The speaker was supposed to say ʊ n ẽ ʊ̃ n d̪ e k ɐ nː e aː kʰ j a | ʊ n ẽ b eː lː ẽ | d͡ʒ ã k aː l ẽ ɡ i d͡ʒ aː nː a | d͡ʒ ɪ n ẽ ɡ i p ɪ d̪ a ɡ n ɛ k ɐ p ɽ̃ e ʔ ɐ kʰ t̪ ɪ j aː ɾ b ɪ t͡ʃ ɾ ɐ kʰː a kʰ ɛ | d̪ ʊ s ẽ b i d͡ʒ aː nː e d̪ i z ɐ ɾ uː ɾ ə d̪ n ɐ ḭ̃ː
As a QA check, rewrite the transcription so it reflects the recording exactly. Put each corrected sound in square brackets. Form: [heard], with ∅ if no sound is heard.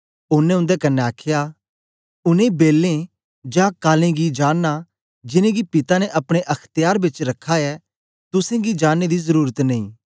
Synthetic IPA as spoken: ʊ n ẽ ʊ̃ n d̪ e k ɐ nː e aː kʰ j a | ʊ n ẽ b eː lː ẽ | d͡ʒ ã k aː l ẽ ɡ i d͡ʒ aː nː a | d͡ʒ ɪ n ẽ ɡ i p ɪ [t̪] a [∅] n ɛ [ʔ] ɐ p ɽ̃ e ʔ ɐ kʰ t̪ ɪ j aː ɾ b ɪ t͡ʃ ɾ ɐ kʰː a [∅] ɛ | [t̪] ʊ s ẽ [ɡ] i d͡ʒ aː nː e d̪ i z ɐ ɾ uː ɾ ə [t̪] n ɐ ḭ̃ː